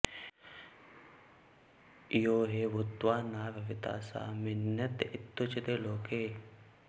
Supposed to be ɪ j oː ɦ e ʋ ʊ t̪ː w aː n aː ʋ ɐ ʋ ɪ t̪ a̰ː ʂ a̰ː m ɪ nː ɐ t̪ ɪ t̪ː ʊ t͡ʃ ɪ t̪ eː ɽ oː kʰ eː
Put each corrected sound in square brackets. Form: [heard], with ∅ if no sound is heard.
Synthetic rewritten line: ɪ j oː ɦ e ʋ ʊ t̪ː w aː n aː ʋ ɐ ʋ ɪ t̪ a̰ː [s] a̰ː m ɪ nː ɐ t̪ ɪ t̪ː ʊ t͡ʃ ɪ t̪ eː [l] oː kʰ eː